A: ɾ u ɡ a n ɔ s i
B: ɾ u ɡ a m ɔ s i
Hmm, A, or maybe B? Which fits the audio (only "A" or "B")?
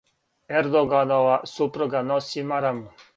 A